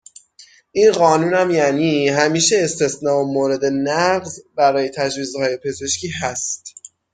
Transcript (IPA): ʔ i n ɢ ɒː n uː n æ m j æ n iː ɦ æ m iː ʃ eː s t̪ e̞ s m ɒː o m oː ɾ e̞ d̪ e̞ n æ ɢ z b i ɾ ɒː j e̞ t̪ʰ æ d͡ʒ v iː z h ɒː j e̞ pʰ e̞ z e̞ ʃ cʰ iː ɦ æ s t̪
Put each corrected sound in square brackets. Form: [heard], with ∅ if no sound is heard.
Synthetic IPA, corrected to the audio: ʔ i n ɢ ɒː n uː n æ m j æ n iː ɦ æ m iː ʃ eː s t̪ e̞ s [n] ɒː o m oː ɾ e̞ d̪ e̞ n æ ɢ z b [æ] ɾ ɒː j e̞ t̪ʰ æ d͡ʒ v iː z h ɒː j e̞ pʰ e̞ z e̞ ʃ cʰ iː ɦ æ s t̪